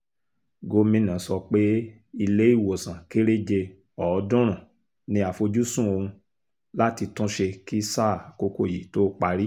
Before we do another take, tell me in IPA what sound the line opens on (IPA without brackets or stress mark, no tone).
ɡ